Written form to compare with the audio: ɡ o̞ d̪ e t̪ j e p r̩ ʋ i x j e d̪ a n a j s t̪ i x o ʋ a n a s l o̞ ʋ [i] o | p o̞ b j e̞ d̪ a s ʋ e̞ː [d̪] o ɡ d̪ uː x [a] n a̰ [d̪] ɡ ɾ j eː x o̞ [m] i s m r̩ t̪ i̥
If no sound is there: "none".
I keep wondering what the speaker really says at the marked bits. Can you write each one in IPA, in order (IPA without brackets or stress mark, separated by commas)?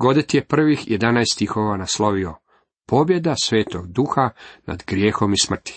i, t̪, a, d̪, m